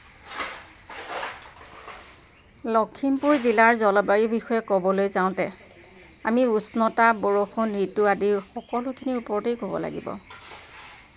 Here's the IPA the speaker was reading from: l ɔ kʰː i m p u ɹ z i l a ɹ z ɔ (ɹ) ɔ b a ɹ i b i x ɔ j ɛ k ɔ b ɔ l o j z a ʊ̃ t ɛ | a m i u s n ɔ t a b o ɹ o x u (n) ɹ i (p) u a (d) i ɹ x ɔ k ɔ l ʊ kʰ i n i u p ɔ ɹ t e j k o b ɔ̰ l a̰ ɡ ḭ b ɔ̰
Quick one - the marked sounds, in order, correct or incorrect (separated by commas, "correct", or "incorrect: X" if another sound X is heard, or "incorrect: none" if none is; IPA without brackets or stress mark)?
incorrect: l, correct, incorrect: t, correct